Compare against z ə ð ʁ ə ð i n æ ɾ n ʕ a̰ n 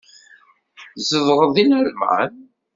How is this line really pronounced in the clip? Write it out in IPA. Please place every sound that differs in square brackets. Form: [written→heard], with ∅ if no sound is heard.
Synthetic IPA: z ə [ð→v] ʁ ə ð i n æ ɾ [n→m] ʕ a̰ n